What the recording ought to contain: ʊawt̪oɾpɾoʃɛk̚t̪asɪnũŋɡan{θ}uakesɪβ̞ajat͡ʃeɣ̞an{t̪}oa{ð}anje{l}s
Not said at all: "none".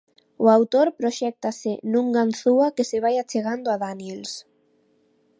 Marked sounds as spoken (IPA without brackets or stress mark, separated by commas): θ, d̪, ð, l